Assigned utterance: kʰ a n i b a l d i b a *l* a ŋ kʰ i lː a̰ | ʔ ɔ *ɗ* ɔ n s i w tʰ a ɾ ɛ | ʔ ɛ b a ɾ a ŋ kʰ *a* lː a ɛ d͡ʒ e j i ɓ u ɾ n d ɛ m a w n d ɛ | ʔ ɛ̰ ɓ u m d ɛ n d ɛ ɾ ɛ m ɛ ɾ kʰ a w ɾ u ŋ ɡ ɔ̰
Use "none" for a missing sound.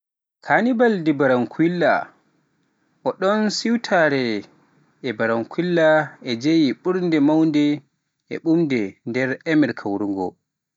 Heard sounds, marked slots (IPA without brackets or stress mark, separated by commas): ɾ, ɗ, i